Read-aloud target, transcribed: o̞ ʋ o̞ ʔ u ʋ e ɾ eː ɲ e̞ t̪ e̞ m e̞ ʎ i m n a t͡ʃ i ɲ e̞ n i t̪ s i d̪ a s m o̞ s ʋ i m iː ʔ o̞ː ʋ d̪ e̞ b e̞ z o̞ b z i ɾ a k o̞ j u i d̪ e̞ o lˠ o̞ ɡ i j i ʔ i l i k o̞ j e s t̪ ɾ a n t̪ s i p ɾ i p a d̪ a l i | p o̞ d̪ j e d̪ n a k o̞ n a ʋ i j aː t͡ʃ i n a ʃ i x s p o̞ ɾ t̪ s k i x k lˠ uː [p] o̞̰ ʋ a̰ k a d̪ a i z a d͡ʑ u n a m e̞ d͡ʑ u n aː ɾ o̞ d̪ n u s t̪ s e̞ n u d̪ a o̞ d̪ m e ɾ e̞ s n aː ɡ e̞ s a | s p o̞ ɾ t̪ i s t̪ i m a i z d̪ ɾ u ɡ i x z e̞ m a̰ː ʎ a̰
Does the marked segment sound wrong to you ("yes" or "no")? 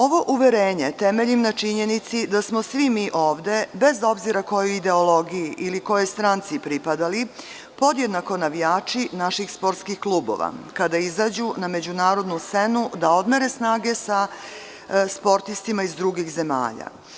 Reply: yes